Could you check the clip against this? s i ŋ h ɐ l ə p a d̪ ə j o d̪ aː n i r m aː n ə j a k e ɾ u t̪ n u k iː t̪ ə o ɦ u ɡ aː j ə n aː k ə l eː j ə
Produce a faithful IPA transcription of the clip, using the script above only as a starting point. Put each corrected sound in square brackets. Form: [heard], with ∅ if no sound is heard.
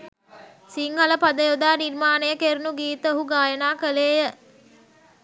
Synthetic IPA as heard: s i ŋ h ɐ l ə p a d̪ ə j o d̪ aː n i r m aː n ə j [ə] k e ɾ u [∅] n u [ɡ] iː t̪ ə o ɦ u ɡ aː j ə n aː k ə l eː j ə